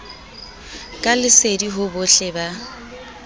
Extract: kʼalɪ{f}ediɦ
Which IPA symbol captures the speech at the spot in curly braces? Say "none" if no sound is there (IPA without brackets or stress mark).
s